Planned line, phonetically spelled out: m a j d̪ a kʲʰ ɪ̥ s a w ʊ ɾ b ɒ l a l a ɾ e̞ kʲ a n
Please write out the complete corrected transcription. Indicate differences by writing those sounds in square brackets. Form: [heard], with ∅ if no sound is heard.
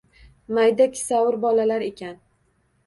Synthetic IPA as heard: m a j d̪ a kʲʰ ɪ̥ s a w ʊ ɾ b ɒ l a l a ɾ e̞ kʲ a n